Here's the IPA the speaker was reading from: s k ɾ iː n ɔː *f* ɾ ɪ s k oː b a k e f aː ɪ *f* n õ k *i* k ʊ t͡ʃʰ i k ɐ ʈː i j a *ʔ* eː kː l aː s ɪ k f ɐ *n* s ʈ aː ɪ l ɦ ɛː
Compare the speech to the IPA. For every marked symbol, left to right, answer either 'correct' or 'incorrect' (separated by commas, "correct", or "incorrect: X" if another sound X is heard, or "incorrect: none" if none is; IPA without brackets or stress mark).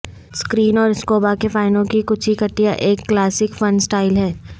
incorrect: none, incorrect: none, correct, correct, correct